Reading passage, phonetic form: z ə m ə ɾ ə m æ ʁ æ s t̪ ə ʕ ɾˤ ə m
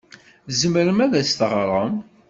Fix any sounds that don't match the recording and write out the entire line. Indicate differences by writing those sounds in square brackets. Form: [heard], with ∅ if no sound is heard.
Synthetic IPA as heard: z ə m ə ɾ ə m æ [ð] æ s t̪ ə [ʁ] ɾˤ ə m